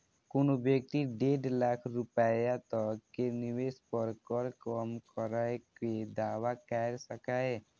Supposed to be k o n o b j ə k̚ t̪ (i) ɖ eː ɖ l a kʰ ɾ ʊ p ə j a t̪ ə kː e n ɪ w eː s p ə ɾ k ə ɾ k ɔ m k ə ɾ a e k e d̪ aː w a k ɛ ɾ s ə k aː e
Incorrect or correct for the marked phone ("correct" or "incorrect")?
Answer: correct